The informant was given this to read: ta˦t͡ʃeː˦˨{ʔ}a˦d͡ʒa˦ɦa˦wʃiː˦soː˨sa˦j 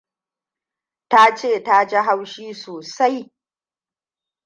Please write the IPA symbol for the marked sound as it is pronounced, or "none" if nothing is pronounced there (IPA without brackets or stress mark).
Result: t